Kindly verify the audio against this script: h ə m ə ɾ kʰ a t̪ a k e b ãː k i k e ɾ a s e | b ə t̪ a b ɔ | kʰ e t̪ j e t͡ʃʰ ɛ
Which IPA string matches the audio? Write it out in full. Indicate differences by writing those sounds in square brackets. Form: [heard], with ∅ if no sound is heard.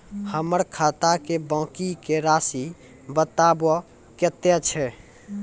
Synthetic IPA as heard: h ə m ə ɾ kʰ a t̪ a k e b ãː k i k e ɾ a s [i] | b ə t̪ a b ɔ | [k] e t̪ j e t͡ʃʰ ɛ